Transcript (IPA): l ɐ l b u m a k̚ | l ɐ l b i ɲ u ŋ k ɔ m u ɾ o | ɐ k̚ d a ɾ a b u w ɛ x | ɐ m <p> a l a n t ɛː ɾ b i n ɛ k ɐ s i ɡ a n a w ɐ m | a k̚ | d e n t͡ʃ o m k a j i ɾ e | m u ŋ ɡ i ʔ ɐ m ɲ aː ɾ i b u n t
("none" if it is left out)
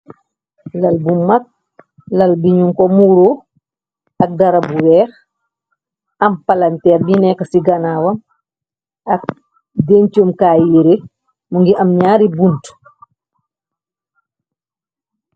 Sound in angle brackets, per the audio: p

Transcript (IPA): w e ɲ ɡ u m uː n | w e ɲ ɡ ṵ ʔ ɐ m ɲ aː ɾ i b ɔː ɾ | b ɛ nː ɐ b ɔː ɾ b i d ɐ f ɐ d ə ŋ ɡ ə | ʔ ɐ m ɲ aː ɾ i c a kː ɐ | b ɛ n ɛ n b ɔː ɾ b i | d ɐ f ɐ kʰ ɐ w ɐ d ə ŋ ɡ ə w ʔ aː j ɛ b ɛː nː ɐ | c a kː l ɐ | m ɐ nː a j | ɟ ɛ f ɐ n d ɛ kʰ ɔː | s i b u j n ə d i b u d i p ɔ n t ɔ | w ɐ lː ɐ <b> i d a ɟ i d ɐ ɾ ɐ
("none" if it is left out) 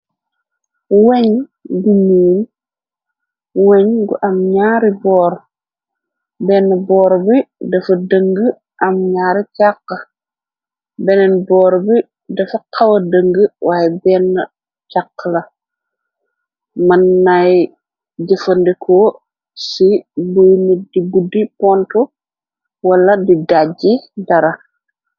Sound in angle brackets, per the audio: d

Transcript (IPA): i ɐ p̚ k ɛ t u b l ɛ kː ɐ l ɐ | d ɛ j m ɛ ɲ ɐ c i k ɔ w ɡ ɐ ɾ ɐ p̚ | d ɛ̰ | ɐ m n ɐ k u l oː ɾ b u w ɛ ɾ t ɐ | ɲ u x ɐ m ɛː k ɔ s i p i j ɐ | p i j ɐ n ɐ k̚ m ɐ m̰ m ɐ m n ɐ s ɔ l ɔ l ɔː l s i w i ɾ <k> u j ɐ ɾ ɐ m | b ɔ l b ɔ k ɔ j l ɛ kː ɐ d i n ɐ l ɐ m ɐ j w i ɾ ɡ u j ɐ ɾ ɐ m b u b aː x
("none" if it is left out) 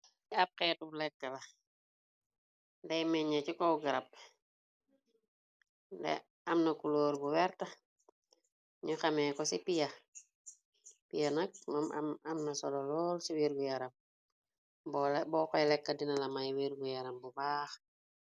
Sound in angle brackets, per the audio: ɡ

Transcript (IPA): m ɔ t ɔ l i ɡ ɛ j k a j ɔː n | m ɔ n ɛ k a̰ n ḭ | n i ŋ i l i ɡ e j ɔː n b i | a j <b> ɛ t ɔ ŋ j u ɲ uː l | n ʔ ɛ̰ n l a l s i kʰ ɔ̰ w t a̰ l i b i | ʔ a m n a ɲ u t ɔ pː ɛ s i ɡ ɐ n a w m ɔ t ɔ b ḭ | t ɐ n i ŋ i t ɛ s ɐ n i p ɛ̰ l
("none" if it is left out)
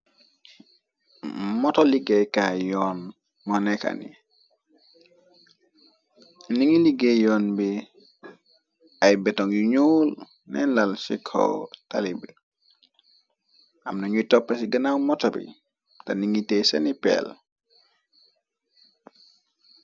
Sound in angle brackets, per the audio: b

